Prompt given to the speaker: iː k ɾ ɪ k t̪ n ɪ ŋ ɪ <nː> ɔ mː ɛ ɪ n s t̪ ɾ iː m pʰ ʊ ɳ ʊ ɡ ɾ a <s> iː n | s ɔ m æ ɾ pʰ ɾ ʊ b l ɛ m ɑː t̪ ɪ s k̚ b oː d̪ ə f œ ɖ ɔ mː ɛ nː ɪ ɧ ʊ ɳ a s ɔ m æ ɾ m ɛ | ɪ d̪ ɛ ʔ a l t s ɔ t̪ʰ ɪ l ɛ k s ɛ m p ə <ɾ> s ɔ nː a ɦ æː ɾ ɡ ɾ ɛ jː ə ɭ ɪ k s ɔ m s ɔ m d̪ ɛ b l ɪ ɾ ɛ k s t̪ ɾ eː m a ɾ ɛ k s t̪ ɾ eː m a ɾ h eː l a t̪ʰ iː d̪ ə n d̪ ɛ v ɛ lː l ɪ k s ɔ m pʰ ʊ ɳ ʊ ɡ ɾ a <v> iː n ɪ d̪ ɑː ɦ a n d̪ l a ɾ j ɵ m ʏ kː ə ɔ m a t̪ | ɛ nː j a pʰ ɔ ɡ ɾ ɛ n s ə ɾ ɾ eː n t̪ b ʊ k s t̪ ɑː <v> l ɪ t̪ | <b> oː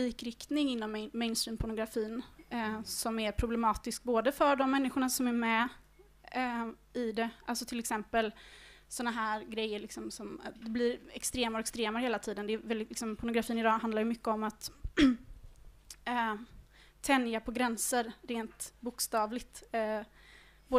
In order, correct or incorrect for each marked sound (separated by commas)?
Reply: correct, incorrect, incorrect, incorrect, correct, correct